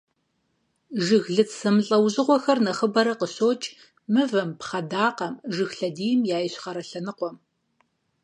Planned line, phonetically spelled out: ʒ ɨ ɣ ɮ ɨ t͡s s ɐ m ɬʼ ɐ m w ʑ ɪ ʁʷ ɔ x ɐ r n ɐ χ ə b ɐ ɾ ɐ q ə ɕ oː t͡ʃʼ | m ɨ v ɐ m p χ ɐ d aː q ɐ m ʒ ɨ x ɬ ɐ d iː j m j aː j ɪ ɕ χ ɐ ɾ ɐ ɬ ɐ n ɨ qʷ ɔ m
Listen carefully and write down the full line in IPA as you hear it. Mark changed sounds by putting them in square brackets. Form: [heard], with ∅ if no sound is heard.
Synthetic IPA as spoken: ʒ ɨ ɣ ɮ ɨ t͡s s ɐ m ɬʼ ɐ [∅] w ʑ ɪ ʁʷ ɔ x ɐ r n ɐ χ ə b ɐ ɾ ɐ q ə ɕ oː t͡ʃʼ | m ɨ v ɐ m p χ ɐ d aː q ɐ m ʒ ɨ x ɬ ɐ d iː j m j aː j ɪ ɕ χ ɐ ɾ ɐ ɬ ɐ n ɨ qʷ ɔ m